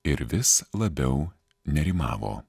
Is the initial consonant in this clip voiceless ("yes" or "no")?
no